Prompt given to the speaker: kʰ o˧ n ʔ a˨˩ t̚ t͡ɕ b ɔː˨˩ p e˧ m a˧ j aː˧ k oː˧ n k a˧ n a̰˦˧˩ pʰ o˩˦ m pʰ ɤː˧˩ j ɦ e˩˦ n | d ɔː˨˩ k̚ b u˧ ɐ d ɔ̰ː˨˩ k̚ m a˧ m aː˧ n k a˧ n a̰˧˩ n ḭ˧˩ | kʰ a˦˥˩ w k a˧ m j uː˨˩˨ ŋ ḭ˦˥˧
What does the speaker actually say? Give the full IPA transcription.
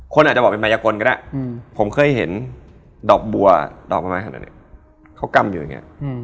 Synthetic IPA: kʰ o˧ n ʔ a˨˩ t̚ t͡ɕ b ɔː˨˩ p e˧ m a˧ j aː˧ k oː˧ n k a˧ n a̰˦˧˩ pʰ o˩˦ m kʰ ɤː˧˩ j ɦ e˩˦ n | d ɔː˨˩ k̚ b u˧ ɐ d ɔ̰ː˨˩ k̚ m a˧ m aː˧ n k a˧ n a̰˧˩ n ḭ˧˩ | kʰ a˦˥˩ w k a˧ m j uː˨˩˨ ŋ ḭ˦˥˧